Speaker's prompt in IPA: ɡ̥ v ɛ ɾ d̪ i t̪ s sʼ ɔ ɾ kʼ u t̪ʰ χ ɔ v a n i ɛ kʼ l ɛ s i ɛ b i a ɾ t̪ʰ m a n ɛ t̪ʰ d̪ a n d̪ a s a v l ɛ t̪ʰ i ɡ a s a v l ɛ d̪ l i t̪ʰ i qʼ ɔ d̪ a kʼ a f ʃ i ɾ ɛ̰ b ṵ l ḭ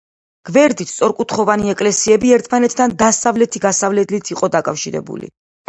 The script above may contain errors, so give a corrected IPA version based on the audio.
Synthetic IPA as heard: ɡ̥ v ɛ ɾ d̪ i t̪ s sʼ ɔ ɾ kʼ u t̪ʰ χ ɔ v a n i ɛ kʼ l ɛ s i ɛ b i ɛ ɾ t̪ʰ m a n ɛ t̪ʰ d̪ a n d̪ a s a v l ɛ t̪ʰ i ɡ a s a v l ɛ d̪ l i t̪ʰ i qʼ ɔ d̪ a kʼ a f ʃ i ɾ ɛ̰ b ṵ l ḭ